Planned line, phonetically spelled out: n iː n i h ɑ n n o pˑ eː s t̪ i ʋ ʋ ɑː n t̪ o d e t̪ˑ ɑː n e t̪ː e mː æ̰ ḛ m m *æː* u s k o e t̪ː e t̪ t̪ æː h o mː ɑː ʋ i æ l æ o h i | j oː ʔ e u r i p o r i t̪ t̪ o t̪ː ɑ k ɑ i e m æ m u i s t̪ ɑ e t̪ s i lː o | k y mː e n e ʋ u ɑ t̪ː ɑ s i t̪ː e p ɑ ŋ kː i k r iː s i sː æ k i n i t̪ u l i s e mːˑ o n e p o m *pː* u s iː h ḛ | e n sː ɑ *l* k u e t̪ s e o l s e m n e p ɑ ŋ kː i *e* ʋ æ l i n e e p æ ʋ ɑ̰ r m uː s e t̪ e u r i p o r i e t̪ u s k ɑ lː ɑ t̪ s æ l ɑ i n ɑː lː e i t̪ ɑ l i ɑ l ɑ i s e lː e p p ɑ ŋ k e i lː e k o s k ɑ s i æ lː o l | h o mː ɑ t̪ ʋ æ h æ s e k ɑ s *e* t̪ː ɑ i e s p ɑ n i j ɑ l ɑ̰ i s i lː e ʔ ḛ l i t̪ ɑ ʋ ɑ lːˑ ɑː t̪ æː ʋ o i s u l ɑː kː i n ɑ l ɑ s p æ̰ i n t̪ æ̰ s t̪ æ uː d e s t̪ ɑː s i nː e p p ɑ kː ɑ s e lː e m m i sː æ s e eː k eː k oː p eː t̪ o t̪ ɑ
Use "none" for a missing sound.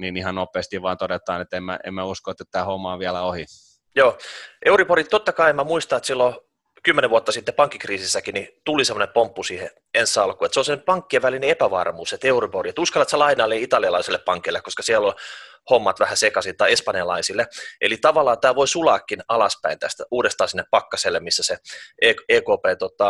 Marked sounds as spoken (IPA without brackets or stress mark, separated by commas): æ, pː, l, e, i